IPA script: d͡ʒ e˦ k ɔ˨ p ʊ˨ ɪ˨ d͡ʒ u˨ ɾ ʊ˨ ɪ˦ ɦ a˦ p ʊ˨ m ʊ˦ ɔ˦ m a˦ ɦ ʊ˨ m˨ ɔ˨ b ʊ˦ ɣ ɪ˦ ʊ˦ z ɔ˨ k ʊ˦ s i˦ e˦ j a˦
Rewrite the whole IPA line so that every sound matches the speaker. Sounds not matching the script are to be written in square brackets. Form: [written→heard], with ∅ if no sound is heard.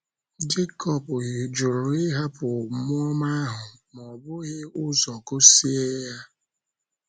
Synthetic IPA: d͡ʒ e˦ k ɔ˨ p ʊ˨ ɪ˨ d͡ʒ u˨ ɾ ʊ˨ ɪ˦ ɦ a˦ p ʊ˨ m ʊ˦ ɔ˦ m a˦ ɦ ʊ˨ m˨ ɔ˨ b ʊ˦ ɣ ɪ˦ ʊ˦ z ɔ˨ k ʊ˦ s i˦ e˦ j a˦